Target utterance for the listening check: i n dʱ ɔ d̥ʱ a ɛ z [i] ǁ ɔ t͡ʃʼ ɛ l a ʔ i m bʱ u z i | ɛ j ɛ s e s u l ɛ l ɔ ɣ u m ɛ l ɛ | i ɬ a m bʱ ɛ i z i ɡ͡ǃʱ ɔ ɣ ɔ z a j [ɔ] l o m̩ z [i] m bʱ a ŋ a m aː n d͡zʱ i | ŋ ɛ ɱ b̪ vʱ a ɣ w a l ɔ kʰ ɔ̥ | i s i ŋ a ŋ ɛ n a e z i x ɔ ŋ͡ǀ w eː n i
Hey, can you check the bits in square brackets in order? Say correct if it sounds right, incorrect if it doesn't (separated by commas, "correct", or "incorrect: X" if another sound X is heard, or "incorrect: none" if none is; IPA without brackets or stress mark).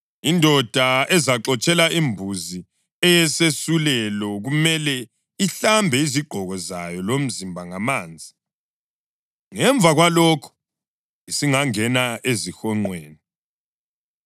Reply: incorrect: a, correct, correct